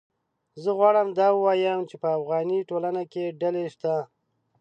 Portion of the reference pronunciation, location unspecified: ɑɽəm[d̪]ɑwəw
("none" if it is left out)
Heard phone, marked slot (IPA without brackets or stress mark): d̪